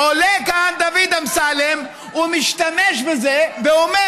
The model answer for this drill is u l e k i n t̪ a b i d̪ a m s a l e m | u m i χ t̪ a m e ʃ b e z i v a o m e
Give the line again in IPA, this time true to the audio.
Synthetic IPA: o l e k a n d̪ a v i d̪ a m s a l e m | u m i ʃ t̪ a m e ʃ b e z e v e o m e

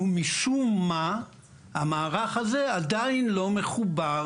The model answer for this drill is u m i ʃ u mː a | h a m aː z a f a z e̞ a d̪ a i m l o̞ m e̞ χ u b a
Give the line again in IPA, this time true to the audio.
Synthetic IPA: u m i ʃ u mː a | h a m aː ʁ a χ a z e̞ a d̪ a i n l o̞ m e̞ χ u b a

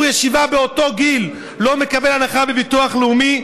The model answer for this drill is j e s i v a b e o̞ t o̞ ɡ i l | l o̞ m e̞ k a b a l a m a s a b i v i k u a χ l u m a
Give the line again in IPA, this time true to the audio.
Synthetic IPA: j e ʃ i v a b e o̞ t o̞ ɡ i l | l o̞ m e̞ k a b e l a n a χ a b e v i t u a χ l u m i

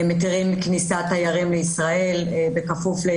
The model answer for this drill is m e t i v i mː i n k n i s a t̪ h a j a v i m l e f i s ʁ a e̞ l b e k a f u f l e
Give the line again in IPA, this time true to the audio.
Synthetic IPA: m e t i ʁ i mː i k n i s a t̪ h a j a ʁ i m l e i s ʁ a e̞ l b e k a f u f l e

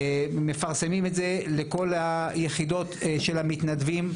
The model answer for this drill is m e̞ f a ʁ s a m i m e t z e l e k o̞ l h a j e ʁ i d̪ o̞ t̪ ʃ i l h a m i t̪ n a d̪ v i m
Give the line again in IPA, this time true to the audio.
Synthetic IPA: m e̞ f a ʁ s e m i m e t z e l e k o̞ l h a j e χ i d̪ o̞ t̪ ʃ e l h a m i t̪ n a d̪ v i m

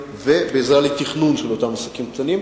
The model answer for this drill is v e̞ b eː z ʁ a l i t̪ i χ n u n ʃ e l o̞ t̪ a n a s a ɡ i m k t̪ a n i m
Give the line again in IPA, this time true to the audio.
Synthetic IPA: v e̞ b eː z ʁ a l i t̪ i χ n u n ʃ e l o̞ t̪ a m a s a k i m k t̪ a n i m

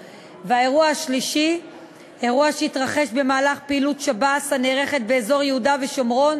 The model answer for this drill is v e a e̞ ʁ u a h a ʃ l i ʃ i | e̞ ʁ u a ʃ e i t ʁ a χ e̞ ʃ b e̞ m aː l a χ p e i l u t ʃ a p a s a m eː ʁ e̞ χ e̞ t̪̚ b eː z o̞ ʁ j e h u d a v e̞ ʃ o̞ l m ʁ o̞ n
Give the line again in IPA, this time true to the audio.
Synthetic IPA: v e a e̞ ʁ u a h a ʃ l i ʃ i | e̞ ʁ u a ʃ e i t ʁ a χ e̞ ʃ b e̞ m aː l a χ p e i l u t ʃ a b a s a n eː ʁ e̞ χ e̞ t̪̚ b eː z o̞ ʁ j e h u d a v e̞ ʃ o̞ m ʁ o̞ n

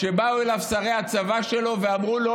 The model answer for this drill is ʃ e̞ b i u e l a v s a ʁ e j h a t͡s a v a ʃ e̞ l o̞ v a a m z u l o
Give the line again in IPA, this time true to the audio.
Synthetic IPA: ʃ e̞ b a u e l a v s a ʁ e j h a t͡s a v a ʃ e̞ l o̞ v e a m ʁ u l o

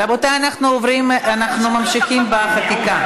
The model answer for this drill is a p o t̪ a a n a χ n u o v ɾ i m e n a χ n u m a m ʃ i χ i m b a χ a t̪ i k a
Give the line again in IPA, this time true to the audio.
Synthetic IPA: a b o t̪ a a n a χ n u o v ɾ i m a n a χ n u m a m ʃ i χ i m b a χ a t̪ i k a

